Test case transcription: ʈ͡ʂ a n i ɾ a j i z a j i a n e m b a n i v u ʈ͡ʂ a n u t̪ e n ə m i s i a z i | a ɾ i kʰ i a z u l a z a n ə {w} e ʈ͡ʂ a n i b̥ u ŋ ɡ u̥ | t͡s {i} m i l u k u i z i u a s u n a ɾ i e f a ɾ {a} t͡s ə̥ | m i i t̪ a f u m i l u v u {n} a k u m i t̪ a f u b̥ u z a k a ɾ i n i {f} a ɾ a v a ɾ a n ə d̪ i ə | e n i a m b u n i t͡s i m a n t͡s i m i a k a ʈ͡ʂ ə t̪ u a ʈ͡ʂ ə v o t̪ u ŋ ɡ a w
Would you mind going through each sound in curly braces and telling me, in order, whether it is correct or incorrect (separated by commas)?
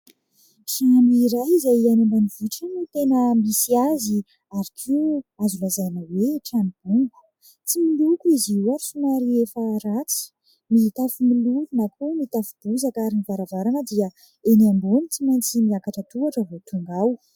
correct, correct, correct, correct, incorrect